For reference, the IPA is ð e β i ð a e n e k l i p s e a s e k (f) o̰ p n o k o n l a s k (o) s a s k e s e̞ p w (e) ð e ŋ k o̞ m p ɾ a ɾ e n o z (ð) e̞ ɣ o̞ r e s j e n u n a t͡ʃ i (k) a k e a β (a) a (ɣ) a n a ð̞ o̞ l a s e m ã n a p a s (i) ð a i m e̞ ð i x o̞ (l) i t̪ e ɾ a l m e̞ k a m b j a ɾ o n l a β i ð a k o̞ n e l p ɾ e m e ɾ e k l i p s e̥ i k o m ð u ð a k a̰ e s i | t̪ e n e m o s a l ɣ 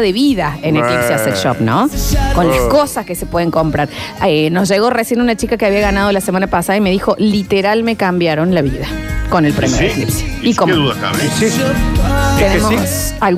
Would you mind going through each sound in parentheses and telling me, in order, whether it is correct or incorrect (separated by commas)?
incorrect, correct, correct, incorrect, correct, incorrect, correct, incorrect, correct